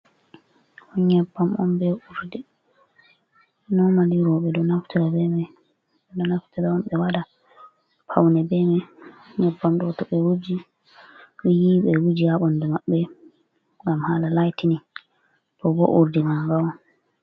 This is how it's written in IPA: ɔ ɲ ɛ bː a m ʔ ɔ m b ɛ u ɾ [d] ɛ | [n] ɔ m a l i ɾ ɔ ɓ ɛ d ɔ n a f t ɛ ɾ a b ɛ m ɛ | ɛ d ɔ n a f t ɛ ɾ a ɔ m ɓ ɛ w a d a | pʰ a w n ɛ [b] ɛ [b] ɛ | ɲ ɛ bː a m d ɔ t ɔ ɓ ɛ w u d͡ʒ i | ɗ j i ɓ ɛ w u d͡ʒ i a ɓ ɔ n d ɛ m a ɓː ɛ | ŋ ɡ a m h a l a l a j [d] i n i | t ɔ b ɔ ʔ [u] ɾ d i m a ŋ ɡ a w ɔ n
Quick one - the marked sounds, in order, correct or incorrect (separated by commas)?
correct, correct, correct, incorrect, incorrect, correct